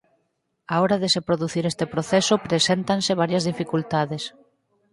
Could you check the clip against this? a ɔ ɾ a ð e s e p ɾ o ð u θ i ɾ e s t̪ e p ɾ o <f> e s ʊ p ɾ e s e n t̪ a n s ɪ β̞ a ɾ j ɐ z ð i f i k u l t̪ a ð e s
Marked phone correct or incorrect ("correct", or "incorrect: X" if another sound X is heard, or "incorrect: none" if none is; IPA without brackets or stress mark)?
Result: incorrect: θ